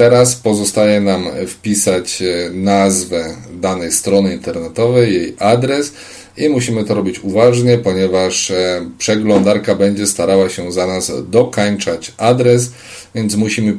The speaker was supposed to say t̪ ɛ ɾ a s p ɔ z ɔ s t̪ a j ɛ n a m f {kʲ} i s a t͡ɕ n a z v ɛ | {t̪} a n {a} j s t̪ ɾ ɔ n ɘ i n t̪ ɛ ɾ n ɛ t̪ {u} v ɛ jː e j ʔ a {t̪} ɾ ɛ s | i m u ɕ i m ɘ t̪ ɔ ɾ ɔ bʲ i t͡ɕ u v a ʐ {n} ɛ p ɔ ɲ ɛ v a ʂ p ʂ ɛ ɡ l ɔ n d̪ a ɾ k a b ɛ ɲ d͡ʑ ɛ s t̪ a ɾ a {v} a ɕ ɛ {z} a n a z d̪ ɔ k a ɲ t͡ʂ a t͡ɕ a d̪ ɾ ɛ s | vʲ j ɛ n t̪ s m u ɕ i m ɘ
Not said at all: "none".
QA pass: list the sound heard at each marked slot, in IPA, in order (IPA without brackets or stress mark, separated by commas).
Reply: pʲ, d̪, ɛ, ɔ, d̪, ɲ, w, z